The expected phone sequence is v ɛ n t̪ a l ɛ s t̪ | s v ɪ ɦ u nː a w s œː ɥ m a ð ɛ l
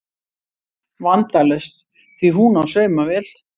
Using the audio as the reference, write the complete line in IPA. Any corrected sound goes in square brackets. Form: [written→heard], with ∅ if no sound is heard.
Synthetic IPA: v [ɛ→a] n t̪ a l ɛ s t̪ | [s→θ] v [ɪ→i] ɦ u [nː→n] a w s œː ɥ m a [ð→v] ɛ l